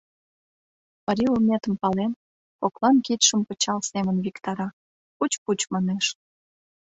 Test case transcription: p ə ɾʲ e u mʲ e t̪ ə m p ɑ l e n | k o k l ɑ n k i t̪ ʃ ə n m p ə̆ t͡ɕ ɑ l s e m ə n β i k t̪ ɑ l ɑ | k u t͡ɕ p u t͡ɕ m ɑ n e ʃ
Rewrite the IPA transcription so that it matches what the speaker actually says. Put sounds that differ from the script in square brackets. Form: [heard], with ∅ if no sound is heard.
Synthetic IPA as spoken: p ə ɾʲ [i] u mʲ e t̪ ə m p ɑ l e n | k o k l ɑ n k i t̪ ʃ ə [∅] m p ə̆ t͡ɕ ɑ l s e m ə n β i k t̪ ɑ [ɾ] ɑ | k u t͡ɕ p u t͡ɕ m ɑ n e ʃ